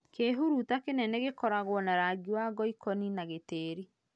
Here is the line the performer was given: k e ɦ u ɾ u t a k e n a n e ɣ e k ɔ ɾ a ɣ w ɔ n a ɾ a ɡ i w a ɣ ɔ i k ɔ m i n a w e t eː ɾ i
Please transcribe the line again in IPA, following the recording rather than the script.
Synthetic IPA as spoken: k e ɦ u ɾ u t a k e n ɛ n e ɣ e k ɔ ɾ a ɣ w ɔ n a ɾ a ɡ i w a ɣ ɔ i k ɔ n i n a ɣ e t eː ɾ i